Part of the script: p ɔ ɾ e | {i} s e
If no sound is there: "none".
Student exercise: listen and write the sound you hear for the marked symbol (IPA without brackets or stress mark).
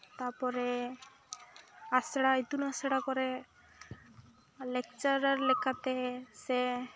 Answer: a